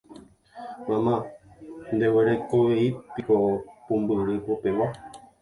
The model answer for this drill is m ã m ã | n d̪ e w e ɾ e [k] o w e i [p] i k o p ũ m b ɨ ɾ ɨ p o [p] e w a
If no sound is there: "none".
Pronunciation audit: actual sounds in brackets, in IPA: k, p, p

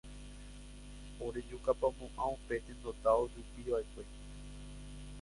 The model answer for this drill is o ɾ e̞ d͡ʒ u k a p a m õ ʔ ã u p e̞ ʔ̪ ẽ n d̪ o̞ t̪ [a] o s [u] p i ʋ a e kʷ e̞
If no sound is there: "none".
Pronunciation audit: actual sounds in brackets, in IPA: a, u

